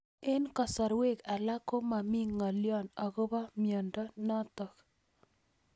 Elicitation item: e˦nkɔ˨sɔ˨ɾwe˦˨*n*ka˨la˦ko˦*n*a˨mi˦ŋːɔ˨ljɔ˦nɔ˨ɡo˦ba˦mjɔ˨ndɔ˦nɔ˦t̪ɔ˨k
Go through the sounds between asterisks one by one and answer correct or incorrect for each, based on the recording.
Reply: incorrect: none, incorrect: m

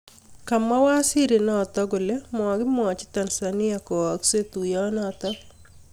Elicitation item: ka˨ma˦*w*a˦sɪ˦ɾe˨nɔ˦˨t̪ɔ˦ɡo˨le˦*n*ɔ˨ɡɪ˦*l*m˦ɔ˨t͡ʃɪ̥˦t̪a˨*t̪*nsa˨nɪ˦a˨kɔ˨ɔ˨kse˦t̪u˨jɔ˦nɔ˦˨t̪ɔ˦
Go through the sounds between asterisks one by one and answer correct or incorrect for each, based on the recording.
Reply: correct, incorrect: m, incorrect: none, incorrect: none

